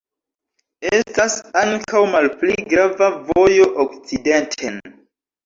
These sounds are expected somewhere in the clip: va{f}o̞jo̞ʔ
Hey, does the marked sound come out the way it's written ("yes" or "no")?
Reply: no